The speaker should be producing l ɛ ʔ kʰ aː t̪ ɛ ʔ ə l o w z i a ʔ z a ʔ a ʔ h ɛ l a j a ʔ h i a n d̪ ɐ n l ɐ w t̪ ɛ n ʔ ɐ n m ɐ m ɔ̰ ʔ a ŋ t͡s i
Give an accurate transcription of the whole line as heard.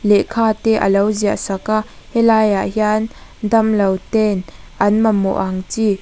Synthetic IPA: l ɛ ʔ kʰ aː t̪ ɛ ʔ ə l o w z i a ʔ s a k a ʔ h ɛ l a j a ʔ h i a n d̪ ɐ m l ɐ w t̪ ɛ n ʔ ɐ n m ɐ m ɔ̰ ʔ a ŋ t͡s i